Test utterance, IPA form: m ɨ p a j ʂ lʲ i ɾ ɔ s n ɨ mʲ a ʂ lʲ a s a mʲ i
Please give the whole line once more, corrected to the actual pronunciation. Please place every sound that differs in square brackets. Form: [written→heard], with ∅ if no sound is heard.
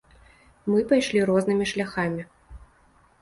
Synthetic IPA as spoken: m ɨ p a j ʂ lʲ i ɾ ɔ [s→z] n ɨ mʲ [a→i] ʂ lʲ a [s→x] a mʲ i